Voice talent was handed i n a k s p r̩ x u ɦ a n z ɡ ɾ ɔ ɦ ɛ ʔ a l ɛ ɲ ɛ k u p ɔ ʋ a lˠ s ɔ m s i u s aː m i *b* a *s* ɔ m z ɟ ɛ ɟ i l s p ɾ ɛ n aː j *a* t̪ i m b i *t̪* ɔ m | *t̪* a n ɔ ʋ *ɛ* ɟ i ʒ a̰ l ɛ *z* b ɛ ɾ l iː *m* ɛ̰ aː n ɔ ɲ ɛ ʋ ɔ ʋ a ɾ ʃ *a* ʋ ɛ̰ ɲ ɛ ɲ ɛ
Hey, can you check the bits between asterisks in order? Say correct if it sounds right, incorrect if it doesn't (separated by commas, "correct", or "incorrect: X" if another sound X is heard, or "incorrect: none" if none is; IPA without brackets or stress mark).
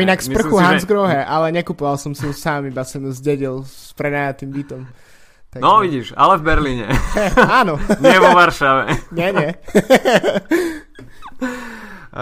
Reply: correct, correct, correct, correct, correct, incorrect: i, incorrect: v, incorrect: ɲ, correct